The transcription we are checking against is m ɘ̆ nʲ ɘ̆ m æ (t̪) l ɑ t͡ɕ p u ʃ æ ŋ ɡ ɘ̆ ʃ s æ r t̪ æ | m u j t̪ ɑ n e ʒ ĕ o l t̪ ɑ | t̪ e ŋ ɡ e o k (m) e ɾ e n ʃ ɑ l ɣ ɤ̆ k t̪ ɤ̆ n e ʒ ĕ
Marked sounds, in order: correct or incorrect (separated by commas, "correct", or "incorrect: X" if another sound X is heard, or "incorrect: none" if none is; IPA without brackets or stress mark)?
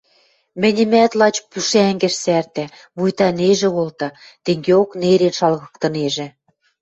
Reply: correct, incorrect: n